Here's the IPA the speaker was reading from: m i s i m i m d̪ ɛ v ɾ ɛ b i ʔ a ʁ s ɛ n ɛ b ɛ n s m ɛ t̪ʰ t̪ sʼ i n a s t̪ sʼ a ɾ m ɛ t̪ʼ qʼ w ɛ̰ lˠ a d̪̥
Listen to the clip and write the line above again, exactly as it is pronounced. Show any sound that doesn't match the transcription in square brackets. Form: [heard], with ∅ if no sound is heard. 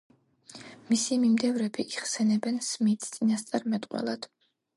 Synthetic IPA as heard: m i s i m i m d̪ ɛ v ɾ ɛ b i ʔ [i] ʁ s ɛ n ɛ b ɛ n s m [i] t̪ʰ t̪ sʼ i n a s t̪ sʼ a ɾ m ɛ t̪ʼ qʼ w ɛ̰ lˠ a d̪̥